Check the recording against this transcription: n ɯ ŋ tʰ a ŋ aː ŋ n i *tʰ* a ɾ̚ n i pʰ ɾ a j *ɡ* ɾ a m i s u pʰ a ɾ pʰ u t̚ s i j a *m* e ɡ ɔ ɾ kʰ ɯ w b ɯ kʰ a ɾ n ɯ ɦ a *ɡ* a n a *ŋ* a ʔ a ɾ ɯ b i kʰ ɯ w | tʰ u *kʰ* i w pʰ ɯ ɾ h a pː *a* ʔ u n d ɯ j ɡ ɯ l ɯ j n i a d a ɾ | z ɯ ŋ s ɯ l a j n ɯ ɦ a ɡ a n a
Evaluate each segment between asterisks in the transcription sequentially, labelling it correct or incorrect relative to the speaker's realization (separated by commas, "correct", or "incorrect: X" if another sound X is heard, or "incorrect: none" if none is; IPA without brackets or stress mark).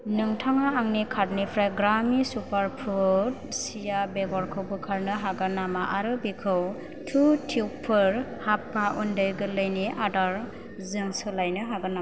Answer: incorrect: kʰ, correct, incorrect: b, correct, incorrect: m, incorrect: tʰ, correct